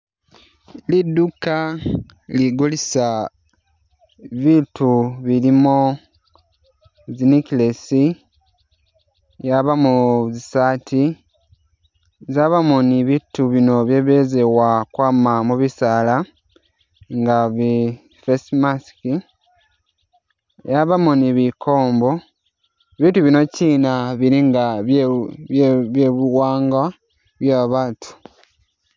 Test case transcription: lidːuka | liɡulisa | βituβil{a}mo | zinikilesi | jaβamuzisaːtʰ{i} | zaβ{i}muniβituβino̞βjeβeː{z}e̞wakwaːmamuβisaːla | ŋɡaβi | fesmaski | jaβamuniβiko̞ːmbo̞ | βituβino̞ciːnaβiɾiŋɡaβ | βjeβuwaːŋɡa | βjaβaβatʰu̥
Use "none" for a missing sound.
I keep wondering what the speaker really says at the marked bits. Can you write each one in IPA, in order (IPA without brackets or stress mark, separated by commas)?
i, i, a, z